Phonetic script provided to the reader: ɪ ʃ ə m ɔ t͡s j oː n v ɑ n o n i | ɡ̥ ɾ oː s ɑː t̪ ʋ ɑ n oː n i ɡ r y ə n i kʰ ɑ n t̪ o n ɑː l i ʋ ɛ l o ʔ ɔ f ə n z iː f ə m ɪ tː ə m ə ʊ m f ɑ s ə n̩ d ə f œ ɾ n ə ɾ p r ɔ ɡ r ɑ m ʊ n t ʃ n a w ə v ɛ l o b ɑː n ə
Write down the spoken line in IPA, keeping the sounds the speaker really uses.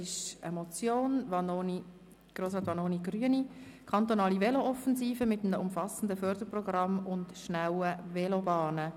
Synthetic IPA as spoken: ɪ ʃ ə m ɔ t͡s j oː n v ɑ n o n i | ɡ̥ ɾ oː s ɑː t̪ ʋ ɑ n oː n i ɡ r y ə n i kʰ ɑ n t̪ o n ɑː l i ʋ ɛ l o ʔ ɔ f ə n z iː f ə m ɪ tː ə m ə ʊ m f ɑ s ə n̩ d ə f œ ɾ d ə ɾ p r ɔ ɡ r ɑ m ʊ n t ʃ n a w ə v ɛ l o b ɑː n ə